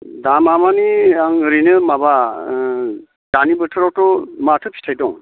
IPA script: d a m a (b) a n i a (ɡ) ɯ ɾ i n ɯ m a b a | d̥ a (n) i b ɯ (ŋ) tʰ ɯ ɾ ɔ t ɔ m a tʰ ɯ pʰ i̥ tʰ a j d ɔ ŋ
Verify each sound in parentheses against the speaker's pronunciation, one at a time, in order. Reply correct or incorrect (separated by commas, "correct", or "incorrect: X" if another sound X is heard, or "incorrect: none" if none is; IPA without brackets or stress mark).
incorrect: m, incorrect: ŋ, correct, incorrect: none